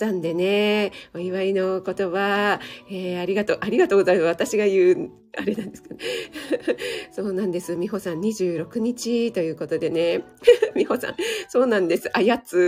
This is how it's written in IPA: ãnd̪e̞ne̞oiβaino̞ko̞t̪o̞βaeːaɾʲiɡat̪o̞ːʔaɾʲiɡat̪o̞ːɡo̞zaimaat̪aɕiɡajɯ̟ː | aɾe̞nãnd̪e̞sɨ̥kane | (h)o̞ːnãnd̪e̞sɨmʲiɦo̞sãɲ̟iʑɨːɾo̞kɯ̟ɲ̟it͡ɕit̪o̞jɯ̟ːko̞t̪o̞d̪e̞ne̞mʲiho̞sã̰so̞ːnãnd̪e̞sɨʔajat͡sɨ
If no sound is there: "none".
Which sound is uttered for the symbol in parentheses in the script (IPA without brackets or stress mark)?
s